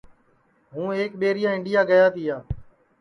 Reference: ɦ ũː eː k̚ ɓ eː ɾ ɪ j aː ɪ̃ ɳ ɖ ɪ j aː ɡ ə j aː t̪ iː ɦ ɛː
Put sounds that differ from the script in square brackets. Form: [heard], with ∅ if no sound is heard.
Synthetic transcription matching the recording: ɦ ũː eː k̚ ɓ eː ɾ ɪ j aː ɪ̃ ɳ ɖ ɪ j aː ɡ ə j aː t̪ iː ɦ [aː]